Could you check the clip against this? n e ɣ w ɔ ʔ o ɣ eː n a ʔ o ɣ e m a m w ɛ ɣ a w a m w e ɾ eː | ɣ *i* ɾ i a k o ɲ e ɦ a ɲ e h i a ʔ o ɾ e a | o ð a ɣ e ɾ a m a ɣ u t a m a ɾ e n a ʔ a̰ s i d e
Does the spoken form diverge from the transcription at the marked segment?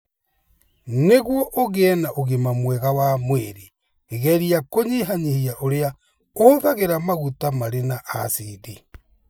yes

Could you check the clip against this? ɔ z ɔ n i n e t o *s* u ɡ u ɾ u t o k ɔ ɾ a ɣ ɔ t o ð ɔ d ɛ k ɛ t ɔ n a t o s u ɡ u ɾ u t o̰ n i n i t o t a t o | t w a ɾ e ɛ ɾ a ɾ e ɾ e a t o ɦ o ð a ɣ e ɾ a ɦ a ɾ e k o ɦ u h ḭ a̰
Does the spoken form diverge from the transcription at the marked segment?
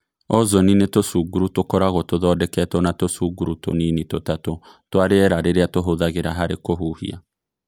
no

